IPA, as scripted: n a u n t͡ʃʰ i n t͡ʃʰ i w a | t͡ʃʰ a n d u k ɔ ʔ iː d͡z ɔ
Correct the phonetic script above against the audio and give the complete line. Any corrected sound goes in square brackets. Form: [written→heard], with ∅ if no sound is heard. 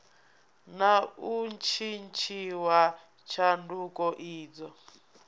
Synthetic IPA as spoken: n a u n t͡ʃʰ i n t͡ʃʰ i w a | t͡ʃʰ a n d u k ɔ ʔ iː d͡z ɔ